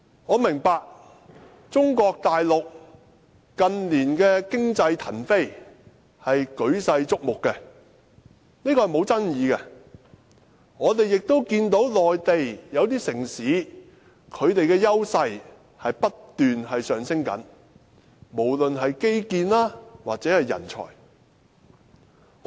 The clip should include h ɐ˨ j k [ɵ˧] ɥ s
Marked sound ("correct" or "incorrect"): incorrect